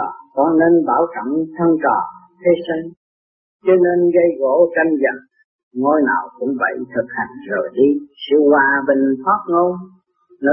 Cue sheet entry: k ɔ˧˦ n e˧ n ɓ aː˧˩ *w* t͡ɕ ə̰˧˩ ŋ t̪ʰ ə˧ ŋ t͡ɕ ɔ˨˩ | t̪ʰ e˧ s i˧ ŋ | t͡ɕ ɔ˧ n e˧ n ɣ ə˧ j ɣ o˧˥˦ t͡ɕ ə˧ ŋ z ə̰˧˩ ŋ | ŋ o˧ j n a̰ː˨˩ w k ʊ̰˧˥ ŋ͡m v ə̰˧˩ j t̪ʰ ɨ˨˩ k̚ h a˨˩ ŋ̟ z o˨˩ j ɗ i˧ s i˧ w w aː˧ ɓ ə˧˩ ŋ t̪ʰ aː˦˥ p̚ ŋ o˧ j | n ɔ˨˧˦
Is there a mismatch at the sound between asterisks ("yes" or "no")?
no